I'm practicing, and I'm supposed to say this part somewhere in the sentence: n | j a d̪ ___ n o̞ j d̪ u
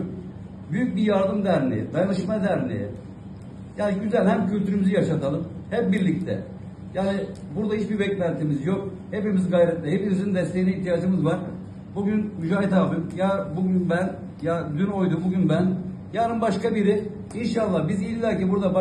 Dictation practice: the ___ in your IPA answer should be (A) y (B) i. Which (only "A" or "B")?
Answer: A